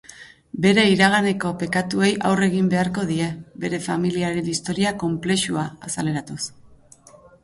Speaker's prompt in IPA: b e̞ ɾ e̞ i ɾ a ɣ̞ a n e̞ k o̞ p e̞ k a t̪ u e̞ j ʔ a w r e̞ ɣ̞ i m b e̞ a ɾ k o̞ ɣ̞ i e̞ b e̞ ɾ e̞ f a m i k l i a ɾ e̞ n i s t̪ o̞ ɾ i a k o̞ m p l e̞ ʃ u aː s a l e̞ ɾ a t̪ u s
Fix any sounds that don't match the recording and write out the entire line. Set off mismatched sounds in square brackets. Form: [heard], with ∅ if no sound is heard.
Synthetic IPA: b e̞ ɾ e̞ i ɾ a ɣ̞ a n e̞ k o̞ p e̞ k a t̪ u e̞ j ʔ a w r e̞ ɣ̞ i m b e̞ a ɾ k o̞ [ð̞] i e̞ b e̞ ɾ e̞ f a m i [∅] l i a ɾ e̞ n i s t̪ o̞ ɾ i a k o̞ m p l e̞ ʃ u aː s a l e̞ ɾ a t̪ u s